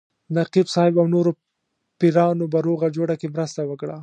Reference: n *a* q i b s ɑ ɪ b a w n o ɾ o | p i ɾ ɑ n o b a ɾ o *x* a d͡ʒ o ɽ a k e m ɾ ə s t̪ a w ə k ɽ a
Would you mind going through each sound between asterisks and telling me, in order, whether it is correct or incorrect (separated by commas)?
correct, incorrect